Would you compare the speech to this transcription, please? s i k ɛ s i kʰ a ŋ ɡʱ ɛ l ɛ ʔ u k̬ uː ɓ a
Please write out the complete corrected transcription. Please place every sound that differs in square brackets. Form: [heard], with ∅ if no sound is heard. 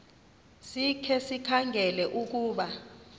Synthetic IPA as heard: s i [kʰ] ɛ s i kʰ a ŋ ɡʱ ɛ l ɛ ʔ u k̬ uː ɓ a